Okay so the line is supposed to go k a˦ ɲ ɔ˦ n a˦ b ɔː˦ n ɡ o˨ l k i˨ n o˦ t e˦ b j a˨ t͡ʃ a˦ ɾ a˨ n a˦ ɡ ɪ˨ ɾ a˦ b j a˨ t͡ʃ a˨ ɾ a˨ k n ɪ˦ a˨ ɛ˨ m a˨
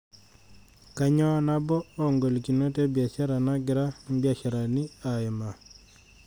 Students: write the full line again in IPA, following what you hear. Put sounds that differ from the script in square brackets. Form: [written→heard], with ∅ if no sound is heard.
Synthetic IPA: k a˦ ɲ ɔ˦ n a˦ b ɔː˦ [n→ŋ] ɡ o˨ l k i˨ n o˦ t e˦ b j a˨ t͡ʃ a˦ ɾ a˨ n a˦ ɡ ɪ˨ ɾ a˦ b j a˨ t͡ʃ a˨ ɾ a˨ [k→∅] n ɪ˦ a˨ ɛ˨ m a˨